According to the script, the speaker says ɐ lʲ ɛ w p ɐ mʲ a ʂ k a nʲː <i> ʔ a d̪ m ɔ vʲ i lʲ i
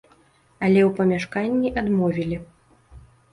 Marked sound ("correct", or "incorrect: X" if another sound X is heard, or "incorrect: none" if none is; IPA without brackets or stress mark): correct